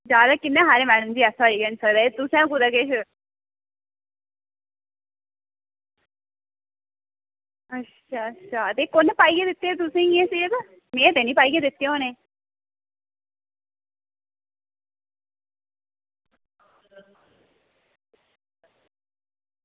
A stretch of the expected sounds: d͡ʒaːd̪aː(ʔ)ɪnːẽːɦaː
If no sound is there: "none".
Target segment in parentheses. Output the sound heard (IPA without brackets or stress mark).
k